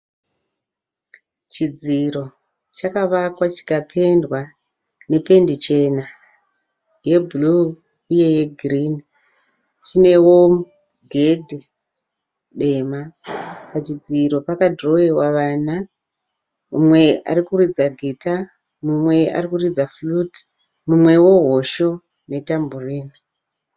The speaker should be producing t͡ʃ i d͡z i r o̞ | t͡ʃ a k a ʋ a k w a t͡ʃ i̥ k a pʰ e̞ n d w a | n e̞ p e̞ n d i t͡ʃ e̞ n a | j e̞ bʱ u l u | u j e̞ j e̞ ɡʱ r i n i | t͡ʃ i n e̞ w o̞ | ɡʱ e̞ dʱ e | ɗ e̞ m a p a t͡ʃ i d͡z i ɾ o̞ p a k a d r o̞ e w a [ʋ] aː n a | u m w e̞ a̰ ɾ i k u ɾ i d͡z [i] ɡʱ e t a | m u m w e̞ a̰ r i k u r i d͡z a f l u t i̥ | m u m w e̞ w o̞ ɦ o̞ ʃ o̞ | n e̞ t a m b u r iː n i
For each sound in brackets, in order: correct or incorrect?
correct, incorrect: a

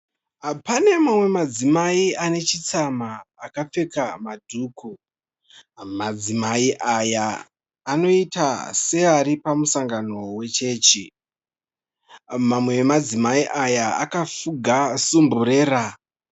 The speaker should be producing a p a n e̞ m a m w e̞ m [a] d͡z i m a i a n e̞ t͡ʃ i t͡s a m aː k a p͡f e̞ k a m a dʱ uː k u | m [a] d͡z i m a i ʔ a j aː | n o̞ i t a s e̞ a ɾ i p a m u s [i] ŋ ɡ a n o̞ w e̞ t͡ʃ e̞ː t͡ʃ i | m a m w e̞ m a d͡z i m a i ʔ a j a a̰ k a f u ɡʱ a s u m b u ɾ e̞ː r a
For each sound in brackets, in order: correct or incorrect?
correct, correct, incorrect: a

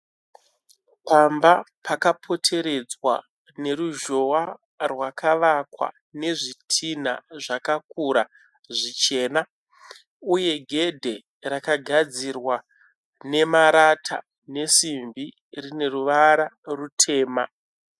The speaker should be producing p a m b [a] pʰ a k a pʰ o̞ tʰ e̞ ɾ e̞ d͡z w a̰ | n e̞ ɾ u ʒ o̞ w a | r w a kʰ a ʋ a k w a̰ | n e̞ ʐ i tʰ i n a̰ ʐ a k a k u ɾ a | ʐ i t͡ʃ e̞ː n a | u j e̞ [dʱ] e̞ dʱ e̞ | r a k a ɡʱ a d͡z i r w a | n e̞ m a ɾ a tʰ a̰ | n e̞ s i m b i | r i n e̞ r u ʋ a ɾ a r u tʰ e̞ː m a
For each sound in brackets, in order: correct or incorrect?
correct, incorrect: ɡʱ

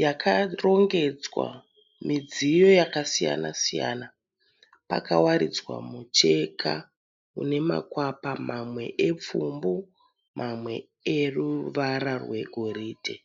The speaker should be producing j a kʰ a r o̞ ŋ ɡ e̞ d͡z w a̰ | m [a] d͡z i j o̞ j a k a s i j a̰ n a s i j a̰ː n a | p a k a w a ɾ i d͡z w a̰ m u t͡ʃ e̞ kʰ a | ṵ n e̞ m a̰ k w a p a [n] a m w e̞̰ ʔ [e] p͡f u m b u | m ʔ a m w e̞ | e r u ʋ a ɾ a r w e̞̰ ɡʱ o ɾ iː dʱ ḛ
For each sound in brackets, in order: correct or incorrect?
incorrect: i, incorrect: m, correct

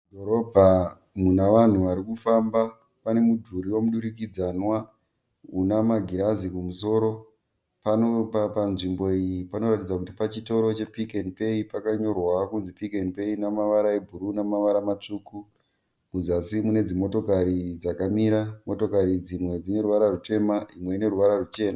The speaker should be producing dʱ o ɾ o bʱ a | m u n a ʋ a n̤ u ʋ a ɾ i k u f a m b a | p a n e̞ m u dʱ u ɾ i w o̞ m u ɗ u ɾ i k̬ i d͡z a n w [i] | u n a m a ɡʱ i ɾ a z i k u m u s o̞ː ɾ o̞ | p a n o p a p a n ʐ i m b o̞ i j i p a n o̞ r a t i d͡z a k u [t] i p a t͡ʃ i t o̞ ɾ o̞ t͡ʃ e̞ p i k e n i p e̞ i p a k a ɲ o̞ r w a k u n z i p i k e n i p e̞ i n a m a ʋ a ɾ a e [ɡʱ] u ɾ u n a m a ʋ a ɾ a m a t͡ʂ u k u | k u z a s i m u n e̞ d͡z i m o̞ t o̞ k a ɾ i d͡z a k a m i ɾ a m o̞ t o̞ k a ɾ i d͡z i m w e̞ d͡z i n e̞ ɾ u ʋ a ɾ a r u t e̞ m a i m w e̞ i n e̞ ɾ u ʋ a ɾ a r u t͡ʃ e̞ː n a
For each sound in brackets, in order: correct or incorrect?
incorrect: a, correct, incorrect: bʱ

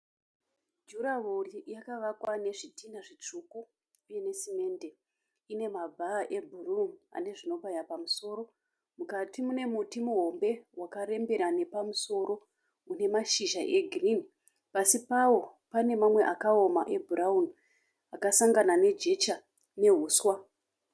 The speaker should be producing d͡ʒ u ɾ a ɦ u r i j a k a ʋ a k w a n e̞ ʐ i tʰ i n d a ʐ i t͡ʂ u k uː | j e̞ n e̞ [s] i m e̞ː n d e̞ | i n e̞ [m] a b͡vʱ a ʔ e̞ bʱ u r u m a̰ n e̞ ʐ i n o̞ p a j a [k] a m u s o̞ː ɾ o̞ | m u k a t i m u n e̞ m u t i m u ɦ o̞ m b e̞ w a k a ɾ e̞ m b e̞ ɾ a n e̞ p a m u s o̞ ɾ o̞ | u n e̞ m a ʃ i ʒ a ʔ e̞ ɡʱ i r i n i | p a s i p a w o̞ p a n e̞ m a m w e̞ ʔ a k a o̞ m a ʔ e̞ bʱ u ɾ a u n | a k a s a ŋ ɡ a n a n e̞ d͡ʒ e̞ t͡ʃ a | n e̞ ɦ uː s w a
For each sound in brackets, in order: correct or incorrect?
correct, correct, incorrect: p

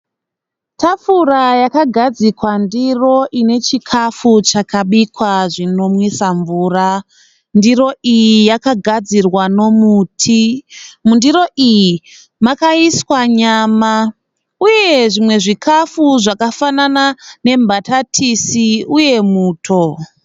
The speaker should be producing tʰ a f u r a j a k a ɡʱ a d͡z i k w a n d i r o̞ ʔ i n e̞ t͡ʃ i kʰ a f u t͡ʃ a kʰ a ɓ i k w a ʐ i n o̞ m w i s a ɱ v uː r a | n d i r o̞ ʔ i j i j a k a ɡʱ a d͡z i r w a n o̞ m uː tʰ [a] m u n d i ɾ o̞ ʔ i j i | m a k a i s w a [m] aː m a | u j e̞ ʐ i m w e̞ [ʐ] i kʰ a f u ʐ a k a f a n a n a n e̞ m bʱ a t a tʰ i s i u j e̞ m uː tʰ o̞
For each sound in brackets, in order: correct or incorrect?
incorrect: i, incorrect: ɲ, correct

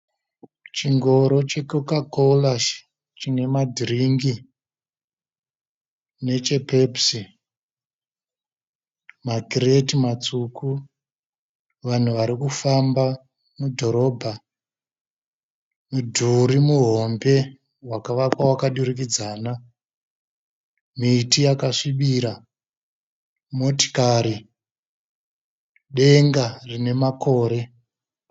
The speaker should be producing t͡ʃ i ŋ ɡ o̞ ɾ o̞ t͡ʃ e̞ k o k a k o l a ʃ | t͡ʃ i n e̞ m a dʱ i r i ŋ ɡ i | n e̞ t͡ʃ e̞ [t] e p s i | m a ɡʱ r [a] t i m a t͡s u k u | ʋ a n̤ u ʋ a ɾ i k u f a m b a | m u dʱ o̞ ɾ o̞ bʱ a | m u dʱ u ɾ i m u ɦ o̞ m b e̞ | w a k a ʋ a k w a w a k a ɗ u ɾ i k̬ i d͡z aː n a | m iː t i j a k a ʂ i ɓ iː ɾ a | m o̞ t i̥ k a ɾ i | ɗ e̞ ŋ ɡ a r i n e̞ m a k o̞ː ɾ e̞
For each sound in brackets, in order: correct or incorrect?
incorrect: p, incorrect: e

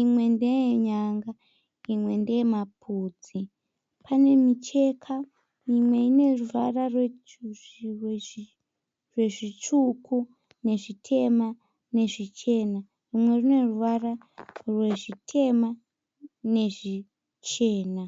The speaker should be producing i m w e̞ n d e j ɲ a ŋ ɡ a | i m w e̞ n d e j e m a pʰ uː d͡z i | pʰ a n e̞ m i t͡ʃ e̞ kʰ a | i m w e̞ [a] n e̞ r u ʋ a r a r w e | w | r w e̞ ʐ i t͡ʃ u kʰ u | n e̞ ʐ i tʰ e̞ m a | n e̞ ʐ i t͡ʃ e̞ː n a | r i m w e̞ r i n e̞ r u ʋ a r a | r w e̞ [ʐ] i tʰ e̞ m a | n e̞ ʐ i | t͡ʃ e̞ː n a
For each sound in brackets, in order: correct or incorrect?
incorrect: i, correct

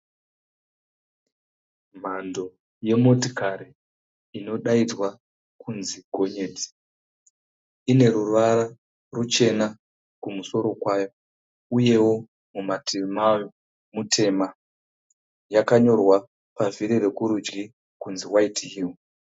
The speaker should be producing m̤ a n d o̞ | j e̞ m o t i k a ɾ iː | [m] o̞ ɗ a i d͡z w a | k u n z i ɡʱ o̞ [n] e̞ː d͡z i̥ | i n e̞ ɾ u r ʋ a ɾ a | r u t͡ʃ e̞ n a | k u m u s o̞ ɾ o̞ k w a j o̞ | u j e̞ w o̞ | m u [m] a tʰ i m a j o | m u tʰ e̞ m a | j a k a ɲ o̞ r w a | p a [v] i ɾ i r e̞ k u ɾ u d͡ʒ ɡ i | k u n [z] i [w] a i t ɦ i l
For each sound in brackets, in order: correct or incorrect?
incorrect: n, incorrect: ɲ, correct, correct, correct, correct

